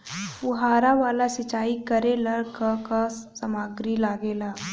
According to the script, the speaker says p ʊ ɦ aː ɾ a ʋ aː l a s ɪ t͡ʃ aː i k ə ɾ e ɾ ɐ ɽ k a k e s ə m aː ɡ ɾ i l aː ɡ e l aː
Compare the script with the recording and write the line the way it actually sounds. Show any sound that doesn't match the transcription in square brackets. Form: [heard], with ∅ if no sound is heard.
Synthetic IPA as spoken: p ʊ ɦ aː ɾ a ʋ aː l a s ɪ t͡ʃ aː i k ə ɾ e [l] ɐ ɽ k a k [a] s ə m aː ɡ ɾ i l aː ɡ e l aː